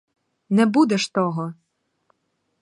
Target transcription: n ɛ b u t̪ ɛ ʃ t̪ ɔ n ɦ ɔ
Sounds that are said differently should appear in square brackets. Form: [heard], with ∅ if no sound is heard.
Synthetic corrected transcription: n ɛ b u [d̪] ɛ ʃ t̪ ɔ [∅] ɦ ɔ